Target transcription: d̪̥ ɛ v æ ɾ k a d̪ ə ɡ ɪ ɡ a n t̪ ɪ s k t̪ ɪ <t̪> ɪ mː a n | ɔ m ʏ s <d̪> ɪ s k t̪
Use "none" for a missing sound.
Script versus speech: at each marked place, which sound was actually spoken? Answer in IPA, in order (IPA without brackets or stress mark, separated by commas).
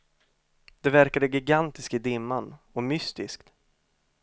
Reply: d̪, t̪